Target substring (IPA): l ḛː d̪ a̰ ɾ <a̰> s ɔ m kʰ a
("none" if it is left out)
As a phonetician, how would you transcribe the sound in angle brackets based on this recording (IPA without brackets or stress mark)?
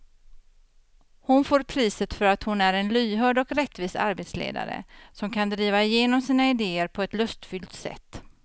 ə̰